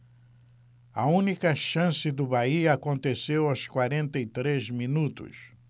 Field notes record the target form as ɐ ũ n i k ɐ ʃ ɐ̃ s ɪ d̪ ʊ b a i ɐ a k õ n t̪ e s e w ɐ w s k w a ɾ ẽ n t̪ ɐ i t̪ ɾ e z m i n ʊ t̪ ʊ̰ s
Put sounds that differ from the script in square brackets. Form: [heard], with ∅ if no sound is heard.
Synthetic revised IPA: ɐ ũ n i k ɐ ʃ ɐ̃ s ɪ d̪ ʊ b a i ɐ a k õ n t̪ e s e w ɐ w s k w a ɾ ẽ n t̪ ɐ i t̪ ɾ e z m i n [u] t̪ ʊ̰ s